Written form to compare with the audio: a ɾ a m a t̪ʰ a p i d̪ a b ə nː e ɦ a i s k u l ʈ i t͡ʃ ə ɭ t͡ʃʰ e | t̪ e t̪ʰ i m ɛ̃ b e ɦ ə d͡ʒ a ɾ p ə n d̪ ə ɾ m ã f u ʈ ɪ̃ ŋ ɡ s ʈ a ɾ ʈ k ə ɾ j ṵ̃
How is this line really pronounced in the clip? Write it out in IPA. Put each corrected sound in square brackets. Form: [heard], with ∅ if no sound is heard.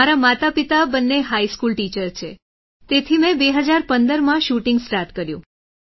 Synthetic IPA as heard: a ɾ a m a [t̪] a p i [t̪] a b ə nː e ɦ a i s k u l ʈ i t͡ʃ ə [ɾ] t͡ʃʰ e | t̪ e t̪ʰ i m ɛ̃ b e ɦ ə d͡ʒ a ɾ p ə n d̪ ə ɾ m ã [ʃ] u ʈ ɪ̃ ŋ ɡ s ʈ a ɾ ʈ k ə ɾ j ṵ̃